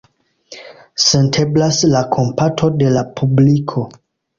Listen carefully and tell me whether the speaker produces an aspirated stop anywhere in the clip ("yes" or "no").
yes